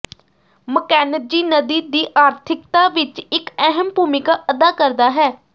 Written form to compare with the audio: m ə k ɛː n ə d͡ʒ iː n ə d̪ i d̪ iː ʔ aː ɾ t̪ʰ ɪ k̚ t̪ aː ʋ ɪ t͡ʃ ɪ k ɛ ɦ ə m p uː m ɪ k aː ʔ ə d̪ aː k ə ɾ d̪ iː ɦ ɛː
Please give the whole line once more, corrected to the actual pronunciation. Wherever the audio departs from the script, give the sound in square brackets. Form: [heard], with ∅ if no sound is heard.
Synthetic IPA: m ə k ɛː n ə d͡ʒ iː n ə d̪ [iː] d̪ iː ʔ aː ɾ t̪ʰ ɪ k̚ t̪ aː ʋ ɪ t͡ʃ ɪ k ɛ ɦ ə m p uː m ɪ k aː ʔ ə d̪ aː k ə ɾ d̪ [aː] ɦ ɛː